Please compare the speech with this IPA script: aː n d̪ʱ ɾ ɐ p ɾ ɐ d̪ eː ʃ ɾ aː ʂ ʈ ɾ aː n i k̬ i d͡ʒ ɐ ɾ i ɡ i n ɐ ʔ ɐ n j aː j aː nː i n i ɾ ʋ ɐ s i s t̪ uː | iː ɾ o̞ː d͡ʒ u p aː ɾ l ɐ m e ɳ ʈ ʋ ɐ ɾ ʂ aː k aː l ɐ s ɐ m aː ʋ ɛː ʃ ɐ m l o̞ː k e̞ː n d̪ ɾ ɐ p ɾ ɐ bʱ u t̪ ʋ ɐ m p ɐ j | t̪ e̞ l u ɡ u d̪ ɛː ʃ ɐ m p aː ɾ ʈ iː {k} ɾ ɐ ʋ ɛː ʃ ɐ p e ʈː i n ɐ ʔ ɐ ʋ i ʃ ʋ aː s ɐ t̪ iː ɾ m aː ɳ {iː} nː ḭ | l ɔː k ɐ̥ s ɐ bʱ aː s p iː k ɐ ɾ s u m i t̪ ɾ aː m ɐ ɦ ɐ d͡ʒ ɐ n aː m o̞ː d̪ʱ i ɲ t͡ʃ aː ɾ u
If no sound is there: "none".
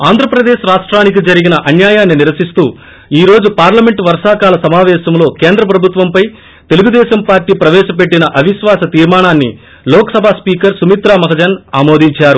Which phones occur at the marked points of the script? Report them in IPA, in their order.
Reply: p, aː

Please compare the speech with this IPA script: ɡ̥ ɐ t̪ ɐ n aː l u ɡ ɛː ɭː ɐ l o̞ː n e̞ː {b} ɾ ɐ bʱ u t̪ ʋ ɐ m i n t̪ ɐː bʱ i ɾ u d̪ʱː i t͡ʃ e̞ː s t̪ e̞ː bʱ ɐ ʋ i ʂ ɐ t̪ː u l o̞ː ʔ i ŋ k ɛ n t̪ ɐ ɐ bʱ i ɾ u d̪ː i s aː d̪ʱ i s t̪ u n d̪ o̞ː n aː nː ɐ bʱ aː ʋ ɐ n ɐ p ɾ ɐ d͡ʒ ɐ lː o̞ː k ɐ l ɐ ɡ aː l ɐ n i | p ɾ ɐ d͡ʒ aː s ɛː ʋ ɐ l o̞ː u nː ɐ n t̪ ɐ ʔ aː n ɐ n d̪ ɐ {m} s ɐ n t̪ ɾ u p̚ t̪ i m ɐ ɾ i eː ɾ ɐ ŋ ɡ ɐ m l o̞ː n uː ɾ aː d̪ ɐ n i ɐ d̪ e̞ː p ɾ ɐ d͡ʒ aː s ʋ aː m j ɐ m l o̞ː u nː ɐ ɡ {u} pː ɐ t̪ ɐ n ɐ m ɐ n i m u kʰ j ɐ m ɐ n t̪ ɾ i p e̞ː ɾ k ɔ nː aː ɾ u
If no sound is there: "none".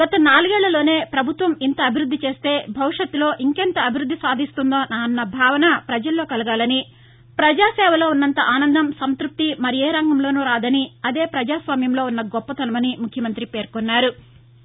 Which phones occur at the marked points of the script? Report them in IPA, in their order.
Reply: p, m, ɔ

